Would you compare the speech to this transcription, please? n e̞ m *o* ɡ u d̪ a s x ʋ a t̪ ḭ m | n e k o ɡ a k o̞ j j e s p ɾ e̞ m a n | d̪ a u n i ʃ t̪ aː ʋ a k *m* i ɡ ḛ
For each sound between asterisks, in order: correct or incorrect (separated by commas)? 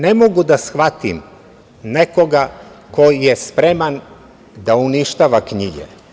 correct, incorrect